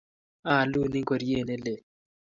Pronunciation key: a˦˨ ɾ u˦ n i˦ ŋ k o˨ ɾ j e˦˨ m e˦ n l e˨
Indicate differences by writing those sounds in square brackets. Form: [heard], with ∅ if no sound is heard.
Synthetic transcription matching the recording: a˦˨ [l] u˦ n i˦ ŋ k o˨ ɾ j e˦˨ [n] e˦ [∅] l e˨

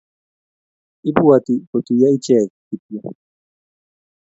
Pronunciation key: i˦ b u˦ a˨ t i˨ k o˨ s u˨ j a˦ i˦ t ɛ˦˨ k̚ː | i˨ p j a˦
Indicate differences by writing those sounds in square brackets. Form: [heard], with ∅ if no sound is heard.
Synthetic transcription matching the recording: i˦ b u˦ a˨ t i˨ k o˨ [t] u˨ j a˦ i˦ [t͡ʃ] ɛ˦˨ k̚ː | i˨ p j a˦

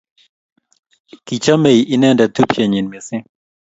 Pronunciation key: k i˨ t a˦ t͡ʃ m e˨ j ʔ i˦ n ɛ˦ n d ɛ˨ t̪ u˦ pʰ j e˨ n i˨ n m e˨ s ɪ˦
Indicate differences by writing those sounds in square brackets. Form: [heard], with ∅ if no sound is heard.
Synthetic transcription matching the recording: k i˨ [t͡ʃ] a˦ [∅] m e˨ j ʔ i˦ n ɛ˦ n d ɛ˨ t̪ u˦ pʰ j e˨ [ɲ] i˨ n m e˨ s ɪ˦

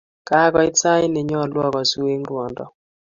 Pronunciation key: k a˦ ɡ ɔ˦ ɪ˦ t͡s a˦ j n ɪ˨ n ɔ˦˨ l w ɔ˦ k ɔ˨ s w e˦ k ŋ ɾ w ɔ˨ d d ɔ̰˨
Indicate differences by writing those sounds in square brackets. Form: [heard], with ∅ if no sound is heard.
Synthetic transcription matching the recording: k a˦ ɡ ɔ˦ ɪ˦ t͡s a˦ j n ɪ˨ [ɲ] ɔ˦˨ l w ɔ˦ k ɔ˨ s w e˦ [∅] ŋ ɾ w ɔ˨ [n] d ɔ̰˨

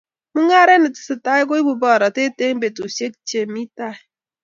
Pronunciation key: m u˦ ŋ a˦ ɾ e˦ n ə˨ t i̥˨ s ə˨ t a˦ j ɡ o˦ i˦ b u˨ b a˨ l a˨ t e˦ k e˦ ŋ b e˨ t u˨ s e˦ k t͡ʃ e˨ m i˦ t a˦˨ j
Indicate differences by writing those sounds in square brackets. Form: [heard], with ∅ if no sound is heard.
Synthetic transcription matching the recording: m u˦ ŋ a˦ ɾ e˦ n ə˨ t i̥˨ s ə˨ t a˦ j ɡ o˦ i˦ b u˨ b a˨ [ɾ] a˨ t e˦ [t] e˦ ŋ b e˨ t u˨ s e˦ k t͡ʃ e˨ m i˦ t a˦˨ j

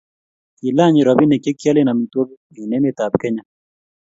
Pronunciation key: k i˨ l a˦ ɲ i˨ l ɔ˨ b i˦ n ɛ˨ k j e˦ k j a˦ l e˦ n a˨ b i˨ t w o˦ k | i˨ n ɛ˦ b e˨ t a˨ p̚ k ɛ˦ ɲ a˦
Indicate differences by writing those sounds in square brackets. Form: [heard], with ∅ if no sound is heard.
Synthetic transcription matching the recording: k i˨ l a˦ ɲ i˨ [ɾ] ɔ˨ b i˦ n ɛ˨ k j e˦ k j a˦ l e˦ n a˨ [m] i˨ t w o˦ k | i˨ n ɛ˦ [m] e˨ t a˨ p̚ k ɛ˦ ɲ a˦

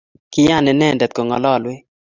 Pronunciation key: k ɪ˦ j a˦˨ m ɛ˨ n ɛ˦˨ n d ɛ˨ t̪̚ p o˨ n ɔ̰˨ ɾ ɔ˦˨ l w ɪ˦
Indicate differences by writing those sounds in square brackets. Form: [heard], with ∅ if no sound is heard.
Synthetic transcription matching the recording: k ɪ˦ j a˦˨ [n] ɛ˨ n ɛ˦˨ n d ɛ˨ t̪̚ [k] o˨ [ŋ] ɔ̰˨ [l] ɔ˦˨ l w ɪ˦

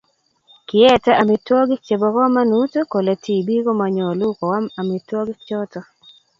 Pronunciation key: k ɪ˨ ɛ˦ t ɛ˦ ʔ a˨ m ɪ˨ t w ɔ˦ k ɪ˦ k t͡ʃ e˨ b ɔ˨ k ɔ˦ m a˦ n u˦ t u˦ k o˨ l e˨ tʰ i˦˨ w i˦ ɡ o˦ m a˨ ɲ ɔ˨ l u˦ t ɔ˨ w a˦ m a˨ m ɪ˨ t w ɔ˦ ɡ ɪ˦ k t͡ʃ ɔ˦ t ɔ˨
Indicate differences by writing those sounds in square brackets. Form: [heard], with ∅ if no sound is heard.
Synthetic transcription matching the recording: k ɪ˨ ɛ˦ t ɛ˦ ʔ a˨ m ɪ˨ t w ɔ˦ [ɡ] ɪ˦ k t͡ʃ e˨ b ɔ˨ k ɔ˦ m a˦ n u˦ t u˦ k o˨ l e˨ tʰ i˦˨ [b] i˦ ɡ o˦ m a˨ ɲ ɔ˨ l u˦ [k] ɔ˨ w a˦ m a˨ m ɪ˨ t w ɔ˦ ɡ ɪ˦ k t͡ʃ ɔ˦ t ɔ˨

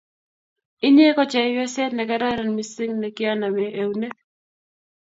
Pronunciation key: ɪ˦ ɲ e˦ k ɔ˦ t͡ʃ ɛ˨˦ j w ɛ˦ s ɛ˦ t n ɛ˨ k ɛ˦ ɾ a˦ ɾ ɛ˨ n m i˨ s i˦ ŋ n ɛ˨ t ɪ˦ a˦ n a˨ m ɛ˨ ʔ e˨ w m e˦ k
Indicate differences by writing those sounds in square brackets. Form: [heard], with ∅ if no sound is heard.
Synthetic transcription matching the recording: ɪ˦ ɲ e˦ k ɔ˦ t͡ʃ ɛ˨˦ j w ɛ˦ s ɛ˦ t n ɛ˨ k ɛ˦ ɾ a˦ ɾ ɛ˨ n m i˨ s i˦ ŋ n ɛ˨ [k] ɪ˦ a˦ n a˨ m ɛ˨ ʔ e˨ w [n] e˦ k

